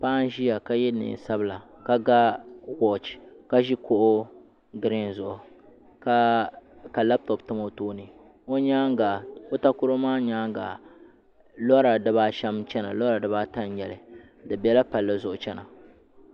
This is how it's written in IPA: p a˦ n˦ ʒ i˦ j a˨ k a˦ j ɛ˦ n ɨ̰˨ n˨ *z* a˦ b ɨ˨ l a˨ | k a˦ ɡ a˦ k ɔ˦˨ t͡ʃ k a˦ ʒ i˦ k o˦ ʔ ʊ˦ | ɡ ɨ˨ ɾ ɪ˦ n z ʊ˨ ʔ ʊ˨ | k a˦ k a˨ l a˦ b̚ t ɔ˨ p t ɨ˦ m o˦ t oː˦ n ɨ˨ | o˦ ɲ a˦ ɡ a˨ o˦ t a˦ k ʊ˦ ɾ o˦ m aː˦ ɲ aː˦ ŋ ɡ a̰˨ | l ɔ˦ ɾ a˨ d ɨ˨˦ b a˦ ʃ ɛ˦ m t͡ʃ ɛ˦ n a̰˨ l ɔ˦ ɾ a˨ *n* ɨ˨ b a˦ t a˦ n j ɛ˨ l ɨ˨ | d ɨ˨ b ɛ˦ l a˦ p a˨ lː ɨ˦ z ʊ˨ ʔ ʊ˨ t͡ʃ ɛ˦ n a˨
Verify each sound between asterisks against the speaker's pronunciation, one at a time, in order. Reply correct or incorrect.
incorrect, incorrect

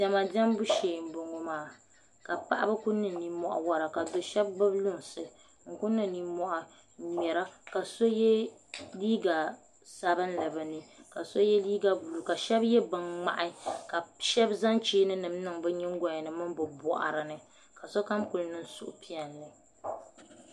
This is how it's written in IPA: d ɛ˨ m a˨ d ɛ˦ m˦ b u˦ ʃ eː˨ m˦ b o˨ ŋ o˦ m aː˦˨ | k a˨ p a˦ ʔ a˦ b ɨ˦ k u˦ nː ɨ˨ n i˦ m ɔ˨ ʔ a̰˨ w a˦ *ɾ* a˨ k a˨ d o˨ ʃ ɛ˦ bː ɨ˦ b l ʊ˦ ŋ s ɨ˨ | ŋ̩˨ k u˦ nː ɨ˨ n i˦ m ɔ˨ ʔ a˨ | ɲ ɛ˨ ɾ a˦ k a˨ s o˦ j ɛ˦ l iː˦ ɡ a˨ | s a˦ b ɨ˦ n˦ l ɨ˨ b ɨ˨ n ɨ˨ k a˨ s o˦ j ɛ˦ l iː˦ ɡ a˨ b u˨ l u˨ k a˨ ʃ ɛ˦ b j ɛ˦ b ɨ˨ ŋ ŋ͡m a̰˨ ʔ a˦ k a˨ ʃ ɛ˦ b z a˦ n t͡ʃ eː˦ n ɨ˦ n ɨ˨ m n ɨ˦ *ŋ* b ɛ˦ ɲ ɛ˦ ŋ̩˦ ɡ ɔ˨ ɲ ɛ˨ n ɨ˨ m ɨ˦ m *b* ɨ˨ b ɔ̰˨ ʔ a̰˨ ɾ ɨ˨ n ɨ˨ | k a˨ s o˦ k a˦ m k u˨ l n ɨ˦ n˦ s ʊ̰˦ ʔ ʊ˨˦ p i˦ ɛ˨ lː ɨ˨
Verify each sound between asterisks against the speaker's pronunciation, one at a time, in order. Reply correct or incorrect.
correct, correct, correct

